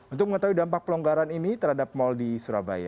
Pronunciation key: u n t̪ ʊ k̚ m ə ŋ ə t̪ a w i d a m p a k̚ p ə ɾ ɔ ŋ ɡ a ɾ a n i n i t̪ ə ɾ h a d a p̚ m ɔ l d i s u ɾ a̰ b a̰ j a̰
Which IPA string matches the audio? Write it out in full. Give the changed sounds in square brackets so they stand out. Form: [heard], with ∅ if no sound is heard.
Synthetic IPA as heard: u n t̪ ʊ k̚ m ə ŋ ə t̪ a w i d a m p a k̚ p ə [l] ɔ ŋ ɡ a ɾ a n i n i t̪ ə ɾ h a d a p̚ m ɔ l d i s u ɾ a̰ b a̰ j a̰